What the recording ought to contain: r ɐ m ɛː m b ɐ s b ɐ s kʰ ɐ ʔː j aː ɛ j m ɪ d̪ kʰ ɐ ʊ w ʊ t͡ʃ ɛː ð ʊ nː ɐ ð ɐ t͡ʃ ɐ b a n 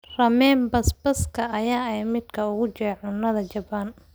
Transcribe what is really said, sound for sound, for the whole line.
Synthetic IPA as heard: r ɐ m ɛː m b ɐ s b ɐ s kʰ ɐ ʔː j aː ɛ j m ɪ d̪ kʰ ɐ ʊ ɣ ʊ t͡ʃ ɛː ʕ ʊ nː ɐ ð ɐ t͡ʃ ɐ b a n